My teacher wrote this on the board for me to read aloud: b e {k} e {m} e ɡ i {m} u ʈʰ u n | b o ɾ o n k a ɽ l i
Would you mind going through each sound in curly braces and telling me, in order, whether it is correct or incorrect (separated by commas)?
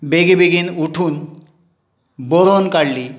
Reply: incorrect, incorrect, incorrect